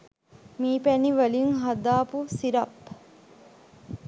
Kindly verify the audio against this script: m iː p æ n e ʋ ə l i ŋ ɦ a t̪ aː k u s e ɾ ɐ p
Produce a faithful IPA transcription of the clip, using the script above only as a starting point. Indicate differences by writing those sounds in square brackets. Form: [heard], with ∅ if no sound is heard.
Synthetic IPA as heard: m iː p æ n [i] ʋ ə l i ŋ ɦ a [d̪] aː [p] u s [i] ɾ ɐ p